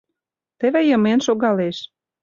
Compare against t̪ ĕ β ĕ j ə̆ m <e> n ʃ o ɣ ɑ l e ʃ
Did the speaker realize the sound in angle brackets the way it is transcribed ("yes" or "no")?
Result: yes